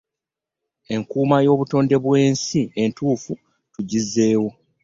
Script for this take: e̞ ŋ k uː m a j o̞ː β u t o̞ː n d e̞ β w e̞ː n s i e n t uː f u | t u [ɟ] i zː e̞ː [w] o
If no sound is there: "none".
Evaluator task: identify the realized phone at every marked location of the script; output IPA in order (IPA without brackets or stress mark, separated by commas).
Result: ɟ, w